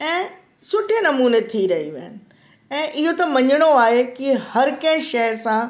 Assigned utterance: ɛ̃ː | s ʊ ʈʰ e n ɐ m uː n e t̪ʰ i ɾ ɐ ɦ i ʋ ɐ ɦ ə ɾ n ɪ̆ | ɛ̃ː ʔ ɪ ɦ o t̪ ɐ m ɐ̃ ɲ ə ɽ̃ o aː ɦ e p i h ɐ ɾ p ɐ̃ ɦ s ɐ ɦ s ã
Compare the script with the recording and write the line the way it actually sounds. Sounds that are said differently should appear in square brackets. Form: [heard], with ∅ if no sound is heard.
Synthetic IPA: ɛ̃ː | s ʊ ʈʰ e n ɐ m uː n e t̪ʰ i ɾ ɐ ɦ i ʋ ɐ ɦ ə [∅] n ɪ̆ | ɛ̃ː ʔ ɪ ɦ o t̪ ɐ m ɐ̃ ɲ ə ɽ̃ o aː ɦ e [k] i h ɐ ɾ [k] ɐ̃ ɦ [ʃ] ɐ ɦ s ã